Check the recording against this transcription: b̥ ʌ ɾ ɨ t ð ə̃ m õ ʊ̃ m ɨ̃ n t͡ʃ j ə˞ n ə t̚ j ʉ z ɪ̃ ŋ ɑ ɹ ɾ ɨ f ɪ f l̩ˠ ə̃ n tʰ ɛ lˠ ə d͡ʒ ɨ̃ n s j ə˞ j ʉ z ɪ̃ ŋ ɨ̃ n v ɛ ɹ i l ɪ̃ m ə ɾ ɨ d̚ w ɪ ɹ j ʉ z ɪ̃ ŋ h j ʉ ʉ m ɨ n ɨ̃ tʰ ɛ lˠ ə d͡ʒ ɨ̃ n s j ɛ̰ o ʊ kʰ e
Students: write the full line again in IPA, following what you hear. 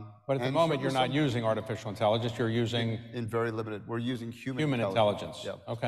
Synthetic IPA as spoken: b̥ ʌ ɾ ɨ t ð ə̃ m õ ʊ̃ m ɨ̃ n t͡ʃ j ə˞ n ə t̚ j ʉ z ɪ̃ ŋ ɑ ɹ ɾ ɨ f ɪ ʃ l̩ˠ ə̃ n tʰ ɛ lˠ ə d͡ʒ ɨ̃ n s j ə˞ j ʉ z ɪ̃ ŋ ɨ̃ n v ɛ ɹ i l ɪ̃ m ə ɾ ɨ d̚ w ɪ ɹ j ʉ z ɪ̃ ŋ h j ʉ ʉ m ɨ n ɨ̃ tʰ ɛ lˠ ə d͡ʒ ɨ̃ n s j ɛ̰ o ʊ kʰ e